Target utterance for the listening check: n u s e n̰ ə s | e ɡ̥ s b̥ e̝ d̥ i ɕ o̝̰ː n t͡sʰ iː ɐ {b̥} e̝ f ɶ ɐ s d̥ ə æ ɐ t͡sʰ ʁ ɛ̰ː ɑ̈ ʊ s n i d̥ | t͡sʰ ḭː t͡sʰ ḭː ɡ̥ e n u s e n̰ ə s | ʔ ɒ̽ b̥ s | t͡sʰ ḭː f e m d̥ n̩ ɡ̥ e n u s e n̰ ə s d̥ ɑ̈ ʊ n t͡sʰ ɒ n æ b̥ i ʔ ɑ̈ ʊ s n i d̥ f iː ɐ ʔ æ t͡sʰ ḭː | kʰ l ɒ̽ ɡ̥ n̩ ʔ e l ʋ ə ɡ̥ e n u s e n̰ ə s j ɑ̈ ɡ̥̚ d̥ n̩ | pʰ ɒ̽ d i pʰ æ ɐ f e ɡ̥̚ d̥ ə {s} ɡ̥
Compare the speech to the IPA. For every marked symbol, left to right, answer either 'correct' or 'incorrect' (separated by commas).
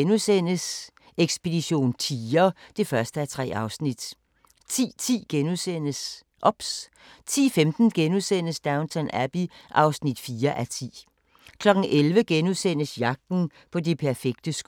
incorrect, correct